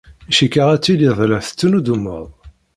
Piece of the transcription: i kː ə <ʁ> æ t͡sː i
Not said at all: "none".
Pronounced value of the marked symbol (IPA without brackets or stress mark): ʁ